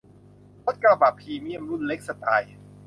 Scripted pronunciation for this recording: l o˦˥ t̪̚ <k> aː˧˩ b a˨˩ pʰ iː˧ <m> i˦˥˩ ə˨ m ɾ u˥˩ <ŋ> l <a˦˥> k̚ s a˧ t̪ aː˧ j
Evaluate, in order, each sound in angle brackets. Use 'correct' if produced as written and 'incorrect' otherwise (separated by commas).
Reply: correct, correct, incorrect, incorrect